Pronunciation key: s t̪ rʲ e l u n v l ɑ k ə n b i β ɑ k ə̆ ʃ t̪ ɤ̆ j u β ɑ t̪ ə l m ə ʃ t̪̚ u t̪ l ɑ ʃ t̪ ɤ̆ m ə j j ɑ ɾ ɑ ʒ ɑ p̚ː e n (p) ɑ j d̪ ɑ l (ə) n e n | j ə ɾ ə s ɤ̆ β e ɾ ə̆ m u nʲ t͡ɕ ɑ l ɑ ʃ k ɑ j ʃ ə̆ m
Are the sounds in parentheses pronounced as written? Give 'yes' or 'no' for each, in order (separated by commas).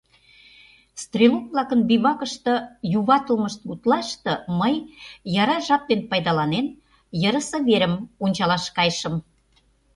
yes, no